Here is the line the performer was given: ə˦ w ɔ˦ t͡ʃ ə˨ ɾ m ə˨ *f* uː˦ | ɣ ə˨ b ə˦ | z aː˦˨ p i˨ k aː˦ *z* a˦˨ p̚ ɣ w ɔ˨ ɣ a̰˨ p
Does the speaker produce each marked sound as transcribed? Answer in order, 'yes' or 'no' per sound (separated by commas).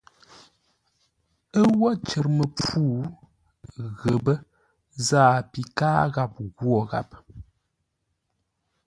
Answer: no, no